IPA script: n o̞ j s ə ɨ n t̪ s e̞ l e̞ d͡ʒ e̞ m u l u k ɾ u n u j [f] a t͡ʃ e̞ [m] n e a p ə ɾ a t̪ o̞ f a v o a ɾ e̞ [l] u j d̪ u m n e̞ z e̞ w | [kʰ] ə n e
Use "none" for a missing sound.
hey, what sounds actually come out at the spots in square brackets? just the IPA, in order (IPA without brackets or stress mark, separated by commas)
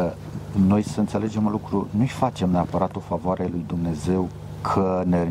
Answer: f, m, l, kʰ